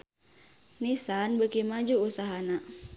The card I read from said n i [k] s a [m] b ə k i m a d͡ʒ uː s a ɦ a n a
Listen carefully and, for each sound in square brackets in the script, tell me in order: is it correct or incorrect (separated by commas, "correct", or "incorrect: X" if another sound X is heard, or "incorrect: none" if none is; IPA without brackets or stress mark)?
incorrect: none, incorrect: n